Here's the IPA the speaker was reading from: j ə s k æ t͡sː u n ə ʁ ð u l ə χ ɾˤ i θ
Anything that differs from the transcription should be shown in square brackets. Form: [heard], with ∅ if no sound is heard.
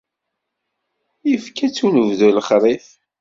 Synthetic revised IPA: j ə [f] k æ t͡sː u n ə [v] ð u l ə χ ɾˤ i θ